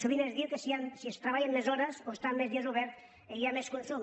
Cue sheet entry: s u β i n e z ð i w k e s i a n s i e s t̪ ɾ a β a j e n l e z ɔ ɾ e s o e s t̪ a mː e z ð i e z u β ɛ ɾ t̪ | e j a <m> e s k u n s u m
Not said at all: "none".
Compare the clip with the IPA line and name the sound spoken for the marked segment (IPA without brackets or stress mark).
m